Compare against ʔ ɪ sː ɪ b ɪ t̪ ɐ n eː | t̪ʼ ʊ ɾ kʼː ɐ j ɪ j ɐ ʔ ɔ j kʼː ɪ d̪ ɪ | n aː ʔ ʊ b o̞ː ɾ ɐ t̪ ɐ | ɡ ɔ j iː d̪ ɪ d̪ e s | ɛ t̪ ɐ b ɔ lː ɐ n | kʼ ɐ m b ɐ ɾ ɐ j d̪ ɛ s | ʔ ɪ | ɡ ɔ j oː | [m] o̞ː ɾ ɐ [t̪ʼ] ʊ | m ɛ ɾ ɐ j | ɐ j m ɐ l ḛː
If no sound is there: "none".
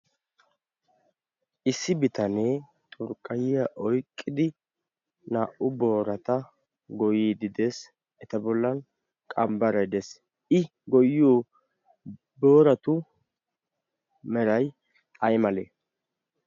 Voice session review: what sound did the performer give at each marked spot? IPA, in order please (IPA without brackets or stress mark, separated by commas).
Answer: b, t̪